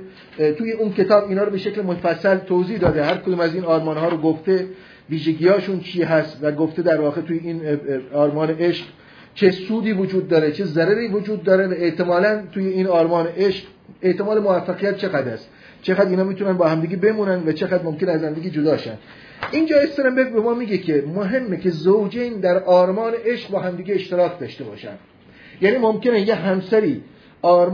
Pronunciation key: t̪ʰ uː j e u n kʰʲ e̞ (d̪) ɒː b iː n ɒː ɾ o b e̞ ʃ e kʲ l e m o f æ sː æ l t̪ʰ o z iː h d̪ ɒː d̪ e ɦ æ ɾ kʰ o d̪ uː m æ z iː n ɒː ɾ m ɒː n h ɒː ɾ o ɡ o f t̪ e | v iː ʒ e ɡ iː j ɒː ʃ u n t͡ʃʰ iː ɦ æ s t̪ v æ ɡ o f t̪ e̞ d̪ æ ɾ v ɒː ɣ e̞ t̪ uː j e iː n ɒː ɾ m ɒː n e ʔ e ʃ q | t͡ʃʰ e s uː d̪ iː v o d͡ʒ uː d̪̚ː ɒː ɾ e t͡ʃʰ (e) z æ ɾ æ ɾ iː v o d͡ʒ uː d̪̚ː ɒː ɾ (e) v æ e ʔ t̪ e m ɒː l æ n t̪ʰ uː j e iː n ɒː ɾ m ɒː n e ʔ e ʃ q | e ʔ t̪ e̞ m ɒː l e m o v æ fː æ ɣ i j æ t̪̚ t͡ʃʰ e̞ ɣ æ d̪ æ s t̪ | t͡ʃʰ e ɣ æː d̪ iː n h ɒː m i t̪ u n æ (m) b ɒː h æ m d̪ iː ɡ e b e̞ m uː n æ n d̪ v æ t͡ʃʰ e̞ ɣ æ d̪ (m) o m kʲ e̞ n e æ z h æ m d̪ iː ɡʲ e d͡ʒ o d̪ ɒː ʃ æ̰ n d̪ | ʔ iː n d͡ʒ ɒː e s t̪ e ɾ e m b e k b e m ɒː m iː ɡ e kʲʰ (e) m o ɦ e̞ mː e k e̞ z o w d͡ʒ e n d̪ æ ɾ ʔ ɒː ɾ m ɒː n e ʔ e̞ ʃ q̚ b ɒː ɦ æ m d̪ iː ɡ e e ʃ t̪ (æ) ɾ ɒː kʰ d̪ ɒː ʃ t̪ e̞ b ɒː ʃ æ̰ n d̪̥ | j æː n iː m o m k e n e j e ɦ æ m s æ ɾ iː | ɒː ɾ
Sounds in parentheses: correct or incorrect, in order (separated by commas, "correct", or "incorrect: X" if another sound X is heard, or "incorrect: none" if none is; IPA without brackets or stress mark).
incorrect: t̪, correct, correct, incorrect: n, correct, correct, incorrect: e